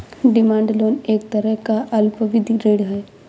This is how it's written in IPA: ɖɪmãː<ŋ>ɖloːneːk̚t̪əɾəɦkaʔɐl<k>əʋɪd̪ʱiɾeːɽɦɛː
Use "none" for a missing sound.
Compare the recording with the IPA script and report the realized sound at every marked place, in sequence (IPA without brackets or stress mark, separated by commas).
ɳ, p